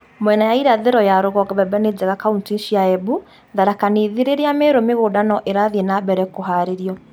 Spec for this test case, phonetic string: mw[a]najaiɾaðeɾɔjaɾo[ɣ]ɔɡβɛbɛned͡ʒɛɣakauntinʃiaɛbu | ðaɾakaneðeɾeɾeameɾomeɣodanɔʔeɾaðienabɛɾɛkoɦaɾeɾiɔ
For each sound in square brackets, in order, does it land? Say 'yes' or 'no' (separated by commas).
no, yes